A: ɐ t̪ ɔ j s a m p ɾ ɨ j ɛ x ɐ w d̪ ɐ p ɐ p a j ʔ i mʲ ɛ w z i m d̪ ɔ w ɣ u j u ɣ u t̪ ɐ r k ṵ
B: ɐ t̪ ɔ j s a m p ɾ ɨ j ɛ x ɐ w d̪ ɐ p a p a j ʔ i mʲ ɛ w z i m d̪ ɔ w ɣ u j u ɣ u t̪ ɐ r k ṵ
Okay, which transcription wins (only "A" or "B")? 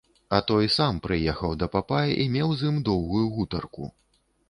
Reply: B